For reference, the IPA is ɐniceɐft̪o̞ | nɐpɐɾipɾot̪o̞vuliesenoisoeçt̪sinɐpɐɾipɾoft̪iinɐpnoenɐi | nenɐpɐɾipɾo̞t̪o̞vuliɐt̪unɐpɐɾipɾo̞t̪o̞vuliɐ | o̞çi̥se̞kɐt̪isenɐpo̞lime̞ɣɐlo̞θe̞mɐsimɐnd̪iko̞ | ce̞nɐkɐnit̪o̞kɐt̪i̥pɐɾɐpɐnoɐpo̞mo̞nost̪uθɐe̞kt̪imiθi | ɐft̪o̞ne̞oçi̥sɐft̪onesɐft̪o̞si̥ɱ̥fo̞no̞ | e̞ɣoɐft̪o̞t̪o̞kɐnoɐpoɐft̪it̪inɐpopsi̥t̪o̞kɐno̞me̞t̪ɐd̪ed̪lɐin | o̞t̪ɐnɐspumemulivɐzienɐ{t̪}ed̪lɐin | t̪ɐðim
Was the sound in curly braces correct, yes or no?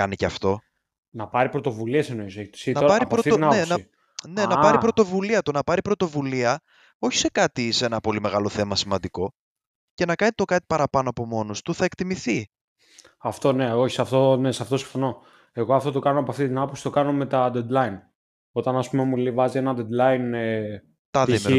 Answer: no